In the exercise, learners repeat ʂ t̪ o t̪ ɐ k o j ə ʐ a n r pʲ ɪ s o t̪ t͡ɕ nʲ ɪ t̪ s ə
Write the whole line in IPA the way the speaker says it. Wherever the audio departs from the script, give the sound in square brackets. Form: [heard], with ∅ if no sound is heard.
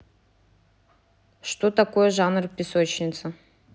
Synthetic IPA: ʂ t̪ o t̪ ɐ k o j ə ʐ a n r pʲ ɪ s o [∅] t͡ɕ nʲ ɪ t̪ s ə